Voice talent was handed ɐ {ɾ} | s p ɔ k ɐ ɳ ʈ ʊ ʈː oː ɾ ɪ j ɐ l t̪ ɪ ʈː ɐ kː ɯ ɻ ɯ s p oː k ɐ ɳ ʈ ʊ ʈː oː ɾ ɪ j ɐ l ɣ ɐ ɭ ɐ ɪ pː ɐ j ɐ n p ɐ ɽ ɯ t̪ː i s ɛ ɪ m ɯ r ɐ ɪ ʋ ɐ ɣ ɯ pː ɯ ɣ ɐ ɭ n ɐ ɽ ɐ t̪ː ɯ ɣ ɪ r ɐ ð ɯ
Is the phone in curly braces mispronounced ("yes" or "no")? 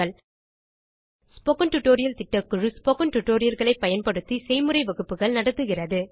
yes